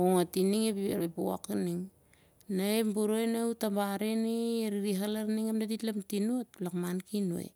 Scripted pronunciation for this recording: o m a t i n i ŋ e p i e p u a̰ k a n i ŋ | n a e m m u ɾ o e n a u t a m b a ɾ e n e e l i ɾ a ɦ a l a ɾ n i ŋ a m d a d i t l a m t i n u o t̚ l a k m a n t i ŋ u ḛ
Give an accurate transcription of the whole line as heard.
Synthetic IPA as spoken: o ŋ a t i n i ŋ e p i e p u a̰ k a n i ŋ | n a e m b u ɾ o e n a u t a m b a ɾ e n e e ɾ i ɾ i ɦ a l a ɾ n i ŋ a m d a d i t l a m t i n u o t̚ l a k m a n k i n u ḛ